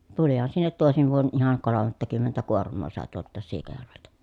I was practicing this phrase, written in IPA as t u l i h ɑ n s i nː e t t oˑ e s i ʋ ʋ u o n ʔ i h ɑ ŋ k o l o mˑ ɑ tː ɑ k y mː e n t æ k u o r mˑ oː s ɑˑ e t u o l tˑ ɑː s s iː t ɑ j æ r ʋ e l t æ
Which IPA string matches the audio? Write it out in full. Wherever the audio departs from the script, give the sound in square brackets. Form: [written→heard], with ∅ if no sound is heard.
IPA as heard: t u l i h ɑ n s i nː e t t oˑ e s i ʋ ʋ u o n ʔ i h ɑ ŋ k o l o mˑ ɑ tː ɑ k y mː e n t æ k u o r mˑ oː s ɑˑ e t u o l tˑ ɑː s s iː [t→k] ɑ j æ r ʋ e l t æ